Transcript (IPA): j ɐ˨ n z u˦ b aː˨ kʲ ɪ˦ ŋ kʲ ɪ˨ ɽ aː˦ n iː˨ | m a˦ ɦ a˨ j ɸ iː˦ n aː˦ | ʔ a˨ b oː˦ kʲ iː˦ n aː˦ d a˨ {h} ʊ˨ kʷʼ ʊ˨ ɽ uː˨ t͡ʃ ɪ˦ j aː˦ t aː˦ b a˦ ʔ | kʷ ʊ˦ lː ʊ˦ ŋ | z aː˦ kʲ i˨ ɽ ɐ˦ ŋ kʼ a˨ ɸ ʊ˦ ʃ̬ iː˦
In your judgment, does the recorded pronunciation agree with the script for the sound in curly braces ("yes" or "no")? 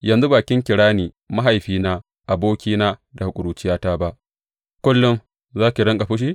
yes